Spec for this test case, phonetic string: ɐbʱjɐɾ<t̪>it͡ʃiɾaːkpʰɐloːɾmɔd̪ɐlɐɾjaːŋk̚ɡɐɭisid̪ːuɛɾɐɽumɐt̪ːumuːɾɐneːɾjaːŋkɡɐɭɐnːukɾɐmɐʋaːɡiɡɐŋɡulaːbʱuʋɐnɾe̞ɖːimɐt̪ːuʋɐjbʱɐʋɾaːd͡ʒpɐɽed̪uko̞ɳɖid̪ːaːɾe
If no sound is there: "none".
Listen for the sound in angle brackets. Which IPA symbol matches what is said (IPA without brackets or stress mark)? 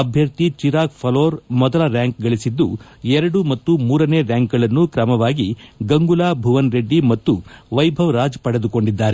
t̪